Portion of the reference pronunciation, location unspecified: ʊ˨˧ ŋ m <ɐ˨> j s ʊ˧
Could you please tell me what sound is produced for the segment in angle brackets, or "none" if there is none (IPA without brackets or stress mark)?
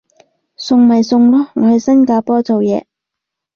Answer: ɐ˨